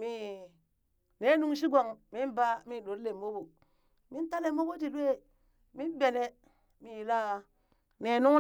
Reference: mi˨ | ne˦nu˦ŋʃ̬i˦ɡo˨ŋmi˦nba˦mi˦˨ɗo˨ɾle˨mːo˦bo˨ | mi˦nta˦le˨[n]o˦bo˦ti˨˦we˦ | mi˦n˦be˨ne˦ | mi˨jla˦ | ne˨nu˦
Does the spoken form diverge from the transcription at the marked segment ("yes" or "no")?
yes